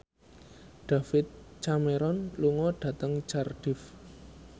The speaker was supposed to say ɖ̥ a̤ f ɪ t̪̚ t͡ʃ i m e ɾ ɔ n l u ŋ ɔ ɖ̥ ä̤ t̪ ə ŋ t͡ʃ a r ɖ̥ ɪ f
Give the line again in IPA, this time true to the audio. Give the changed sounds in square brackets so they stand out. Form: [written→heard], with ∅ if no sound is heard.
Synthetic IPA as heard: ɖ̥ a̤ f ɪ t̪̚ t͡ʃ [i→a] m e ɾ ɔ n l u ŋ ɔ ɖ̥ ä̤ t̪ ə ŋ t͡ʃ a r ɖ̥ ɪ f